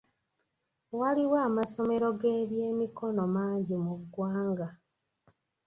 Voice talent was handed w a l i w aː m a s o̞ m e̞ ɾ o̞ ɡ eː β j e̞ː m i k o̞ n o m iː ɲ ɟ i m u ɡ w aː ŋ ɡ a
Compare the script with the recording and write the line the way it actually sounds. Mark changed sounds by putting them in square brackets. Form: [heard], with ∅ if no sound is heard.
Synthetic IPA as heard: w a l i w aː m a s o̞ m e̞ ɾ o̞ ɡ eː β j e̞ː m i k o̞ n o m [aː] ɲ ɟ i m u ɡ w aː ŋ ɡ a